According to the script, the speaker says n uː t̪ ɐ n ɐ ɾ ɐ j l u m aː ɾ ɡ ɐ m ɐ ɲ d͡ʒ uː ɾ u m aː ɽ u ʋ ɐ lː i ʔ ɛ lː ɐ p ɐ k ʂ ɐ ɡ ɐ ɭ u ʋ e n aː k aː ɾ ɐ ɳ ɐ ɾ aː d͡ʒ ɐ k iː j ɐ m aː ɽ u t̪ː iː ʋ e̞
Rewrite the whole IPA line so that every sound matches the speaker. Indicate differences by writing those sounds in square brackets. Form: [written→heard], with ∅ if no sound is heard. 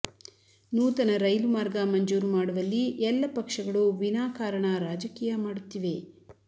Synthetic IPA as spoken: n uː t̪ ɐ n ɐ ɾ ɐ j l u m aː ɾ ɡ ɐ m ɐ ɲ d͡ʒ uː ɾ u m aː ɽ u ʋ ɐ lː i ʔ ɛ lː ɐ p ɐ k ʂ ɐ ɡ ɐ ɭ u ʋ [e→i] n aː k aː ɾ ɐ ɳ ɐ ɾ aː d͡ʒ ɐ k iː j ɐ m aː ɽ u t̪ː [iː→i] ʋ e̞